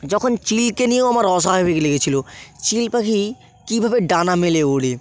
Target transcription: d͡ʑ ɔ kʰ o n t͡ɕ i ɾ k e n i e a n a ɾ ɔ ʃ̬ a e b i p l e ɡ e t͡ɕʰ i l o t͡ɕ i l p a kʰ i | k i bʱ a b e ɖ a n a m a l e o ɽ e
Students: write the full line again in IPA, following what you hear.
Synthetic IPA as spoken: d͡ʑ ɔ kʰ o n t͡ɕ i l k e n i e a m a ɾ ɔ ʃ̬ a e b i k l e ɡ e t͡ɕʰ i l o t͡ɕ i l p a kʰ i | k i bʱ a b e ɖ a n a m e l e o ɽ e